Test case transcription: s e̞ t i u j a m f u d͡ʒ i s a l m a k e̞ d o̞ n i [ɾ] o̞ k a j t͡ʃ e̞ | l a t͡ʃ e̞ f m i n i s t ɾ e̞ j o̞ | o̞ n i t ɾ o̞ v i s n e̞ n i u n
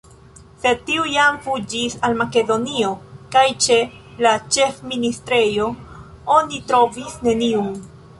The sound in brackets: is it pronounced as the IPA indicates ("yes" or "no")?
no